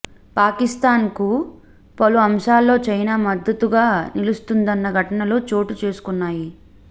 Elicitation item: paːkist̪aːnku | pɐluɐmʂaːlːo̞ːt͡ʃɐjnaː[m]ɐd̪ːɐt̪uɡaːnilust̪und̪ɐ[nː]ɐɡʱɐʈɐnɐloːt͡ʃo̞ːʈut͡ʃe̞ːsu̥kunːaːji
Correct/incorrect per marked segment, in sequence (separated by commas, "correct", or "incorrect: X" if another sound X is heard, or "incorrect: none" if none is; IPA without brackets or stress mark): correct, correct